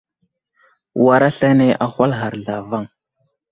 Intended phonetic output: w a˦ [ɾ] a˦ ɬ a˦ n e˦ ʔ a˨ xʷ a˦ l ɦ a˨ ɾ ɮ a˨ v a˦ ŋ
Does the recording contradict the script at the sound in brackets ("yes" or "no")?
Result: no